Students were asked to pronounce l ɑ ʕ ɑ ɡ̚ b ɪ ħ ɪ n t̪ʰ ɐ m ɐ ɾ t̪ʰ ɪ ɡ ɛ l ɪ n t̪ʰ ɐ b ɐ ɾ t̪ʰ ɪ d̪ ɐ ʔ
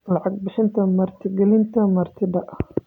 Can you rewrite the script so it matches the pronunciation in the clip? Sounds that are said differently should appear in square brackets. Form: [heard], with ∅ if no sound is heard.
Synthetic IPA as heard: l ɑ ʕ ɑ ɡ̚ b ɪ [ʃ] ɪ n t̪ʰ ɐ m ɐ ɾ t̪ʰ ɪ ɡ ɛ l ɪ n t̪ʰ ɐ [m] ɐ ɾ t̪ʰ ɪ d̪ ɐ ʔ